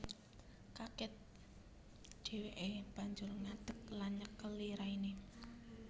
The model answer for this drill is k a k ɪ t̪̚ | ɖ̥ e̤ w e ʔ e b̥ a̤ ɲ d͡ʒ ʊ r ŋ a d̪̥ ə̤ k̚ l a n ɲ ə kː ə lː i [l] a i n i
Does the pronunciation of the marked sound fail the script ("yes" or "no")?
yes